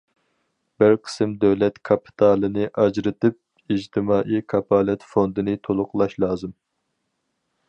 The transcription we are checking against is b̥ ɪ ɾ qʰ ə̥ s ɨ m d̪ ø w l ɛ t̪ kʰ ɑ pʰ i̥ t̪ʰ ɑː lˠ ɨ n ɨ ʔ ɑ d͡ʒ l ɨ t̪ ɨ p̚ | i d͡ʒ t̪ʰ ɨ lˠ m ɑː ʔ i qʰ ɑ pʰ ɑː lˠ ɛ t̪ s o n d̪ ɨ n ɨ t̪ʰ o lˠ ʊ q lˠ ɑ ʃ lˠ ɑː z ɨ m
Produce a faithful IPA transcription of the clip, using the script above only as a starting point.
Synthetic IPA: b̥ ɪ ɾ qʰ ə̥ s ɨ m d̪ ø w l ɛ t̪ kʰ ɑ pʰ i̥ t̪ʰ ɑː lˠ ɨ n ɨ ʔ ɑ d͡ʒ ɾ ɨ t̪ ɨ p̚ | i d͡ʒ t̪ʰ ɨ m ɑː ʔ i kʰ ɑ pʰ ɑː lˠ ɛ t̪ f o n d̪ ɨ n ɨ t̪ʰ o lˠ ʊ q lˠ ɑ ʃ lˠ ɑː z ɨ m